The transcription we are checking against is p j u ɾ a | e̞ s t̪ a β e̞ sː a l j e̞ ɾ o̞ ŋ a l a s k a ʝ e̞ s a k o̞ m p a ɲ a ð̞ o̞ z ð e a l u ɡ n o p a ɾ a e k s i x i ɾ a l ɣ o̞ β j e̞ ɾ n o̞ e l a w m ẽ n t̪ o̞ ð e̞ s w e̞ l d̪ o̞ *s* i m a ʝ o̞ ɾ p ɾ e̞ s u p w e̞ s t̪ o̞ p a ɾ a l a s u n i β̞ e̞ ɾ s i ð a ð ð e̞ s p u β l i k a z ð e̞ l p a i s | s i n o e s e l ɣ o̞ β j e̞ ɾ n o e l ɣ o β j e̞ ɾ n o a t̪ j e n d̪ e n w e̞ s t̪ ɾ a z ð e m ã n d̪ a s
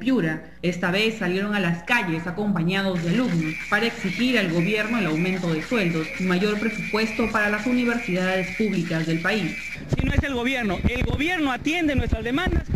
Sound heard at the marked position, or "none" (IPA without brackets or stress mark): s